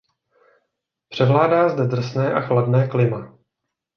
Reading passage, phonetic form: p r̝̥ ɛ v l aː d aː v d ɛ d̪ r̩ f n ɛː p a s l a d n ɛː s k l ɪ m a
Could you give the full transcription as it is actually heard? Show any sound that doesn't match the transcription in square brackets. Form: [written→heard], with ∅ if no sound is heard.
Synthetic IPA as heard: p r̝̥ ɛ v l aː d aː [v→z] d ɛ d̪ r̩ [f→s] n ɛː [p→ʔ] a [s→x] l a d n ɛː [s→∅] k l ɪ m a